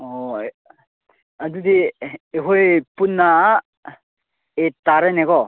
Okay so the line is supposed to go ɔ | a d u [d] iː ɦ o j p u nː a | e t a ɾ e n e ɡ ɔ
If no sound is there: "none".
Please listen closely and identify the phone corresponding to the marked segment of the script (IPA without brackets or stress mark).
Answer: d